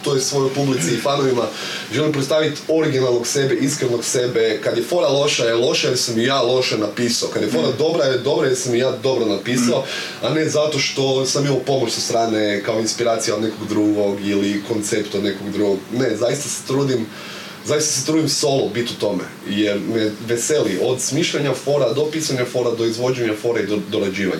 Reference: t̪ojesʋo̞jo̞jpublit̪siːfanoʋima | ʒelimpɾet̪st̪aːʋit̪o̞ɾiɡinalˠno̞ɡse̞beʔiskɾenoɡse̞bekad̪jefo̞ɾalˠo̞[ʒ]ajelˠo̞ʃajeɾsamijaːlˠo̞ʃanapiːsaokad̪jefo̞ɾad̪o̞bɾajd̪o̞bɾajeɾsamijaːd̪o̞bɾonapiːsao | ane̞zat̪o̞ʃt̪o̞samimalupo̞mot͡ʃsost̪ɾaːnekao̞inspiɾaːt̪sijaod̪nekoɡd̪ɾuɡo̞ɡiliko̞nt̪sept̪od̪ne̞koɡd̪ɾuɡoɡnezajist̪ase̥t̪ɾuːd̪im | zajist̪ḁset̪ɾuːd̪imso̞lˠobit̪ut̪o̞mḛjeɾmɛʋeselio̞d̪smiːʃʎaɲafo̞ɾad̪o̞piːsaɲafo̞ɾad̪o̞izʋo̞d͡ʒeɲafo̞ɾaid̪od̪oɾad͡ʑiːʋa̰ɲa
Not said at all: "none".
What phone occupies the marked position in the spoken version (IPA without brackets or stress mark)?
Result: ʃ